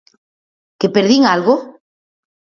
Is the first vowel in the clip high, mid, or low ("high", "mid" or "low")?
mid